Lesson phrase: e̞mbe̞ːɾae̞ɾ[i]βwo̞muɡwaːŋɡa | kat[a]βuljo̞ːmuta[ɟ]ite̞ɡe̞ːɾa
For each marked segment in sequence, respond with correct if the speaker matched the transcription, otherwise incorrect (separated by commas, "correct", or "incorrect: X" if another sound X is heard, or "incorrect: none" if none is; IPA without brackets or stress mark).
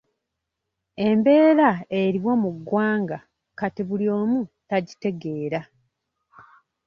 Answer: correct, incorrect: i, correct